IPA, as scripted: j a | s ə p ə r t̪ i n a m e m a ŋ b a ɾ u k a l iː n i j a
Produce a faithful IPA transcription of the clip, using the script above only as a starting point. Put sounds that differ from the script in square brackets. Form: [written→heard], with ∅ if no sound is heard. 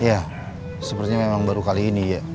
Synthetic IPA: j a | s ə p ə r t̪ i [n→ɲ] a m e m a ŋ b a ɾ u k a l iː n i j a